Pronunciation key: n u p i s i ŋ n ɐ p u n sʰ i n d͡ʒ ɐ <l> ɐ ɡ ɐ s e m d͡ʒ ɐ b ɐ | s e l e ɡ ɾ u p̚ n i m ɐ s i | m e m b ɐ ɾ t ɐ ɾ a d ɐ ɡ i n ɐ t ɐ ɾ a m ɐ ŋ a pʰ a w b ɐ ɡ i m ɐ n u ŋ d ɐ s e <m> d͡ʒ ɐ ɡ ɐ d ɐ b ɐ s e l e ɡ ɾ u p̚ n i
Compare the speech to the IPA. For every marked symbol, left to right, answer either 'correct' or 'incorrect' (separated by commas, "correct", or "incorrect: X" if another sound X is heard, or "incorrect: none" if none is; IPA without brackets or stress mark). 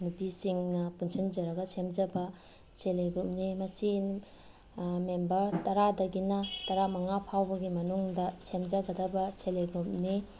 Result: incorrect: ɾ, correct